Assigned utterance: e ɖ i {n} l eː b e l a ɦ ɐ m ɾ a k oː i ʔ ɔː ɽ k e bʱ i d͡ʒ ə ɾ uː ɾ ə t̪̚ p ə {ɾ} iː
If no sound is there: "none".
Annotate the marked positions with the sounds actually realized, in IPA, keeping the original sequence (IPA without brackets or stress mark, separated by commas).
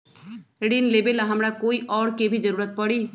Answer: n, ɽ